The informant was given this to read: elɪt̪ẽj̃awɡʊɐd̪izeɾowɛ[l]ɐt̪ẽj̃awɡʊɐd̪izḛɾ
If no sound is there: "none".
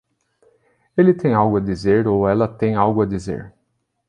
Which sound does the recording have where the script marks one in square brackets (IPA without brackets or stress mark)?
l